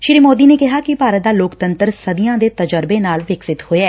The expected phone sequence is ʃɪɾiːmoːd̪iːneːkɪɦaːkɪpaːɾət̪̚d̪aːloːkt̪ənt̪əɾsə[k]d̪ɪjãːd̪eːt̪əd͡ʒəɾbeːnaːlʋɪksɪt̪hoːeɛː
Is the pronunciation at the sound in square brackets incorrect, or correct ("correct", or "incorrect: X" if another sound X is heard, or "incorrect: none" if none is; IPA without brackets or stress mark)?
incorrect: none